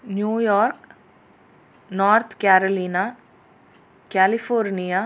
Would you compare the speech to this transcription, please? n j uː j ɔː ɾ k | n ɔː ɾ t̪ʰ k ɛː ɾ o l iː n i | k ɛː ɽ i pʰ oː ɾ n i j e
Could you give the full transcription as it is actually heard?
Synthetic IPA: n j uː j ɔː ɾ k | n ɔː ɾ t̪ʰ k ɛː ɾ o l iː n a | k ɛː l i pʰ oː ɾ n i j a